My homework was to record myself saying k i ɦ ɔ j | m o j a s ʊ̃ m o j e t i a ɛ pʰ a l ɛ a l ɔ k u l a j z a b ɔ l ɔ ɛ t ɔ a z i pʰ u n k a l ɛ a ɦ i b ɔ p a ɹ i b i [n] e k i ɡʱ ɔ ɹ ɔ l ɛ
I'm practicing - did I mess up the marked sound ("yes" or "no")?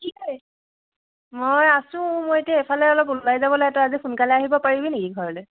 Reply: no